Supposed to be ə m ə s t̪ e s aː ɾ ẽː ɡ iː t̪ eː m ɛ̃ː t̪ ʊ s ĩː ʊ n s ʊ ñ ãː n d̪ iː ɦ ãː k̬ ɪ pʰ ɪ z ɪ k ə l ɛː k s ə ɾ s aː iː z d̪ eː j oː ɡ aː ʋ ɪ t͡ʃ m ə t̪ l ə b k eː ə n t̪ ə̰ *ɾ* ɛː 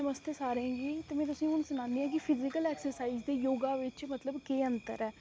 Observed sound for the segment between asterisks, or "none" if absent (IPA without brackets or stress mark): ɾ